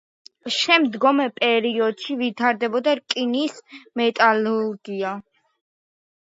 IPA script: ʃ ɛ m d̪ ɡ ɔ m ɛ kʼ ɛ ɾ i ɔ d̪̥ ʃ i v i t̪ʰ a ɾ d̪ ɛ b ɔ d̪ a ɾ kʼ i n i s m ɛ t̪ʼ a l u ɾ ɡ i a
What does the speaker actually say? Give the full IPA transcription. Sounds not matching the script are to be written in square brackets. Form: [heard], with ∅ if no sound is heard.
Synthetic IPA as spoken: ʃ ɛ m d̪ ɡ ɔ m ɛ [pʼ] ɛ ɾ i ɔ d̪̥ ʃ i v i t̪ʰ a ɾ d̪ ɛ b ɔ d̪ a ɾ kʼ i n i s m ɛ t̪ʼ a l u ɾ ɡ i a